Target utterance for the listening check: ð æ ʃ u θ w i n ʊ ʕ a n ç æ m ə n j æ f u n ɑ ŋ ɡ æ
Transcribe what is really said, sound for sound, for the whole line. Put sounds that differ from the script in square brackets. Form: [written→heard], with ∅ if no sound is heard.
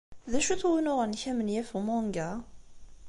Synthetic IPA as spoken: ð æ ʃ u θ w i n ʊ [ʕ→ʁ] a n ç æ m ə n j æ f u [n→m] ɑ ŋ ɡ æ